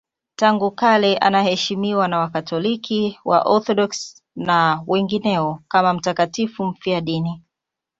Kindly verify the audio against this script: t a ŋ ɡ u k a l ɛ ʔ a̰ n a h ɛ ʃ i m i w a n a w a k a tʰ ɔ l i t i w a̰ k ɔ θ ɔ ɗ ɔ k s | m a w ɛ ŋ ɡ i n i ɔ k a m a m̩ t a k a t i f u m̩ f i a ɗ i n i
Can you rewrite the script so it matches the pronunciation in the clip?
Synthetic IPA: t a ŋ ɡ u k a l ɛ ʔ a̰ n a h ɛ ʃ i m i w a n a w a k a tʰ ɔ l i k i w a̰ ʔ ɔ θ ɔ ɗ ɔ k s | n a w ɛ ŋ ɡ i n ɛ ɔ k a m a m̩ t a k a t i f u m̩ f i a ɗ i n i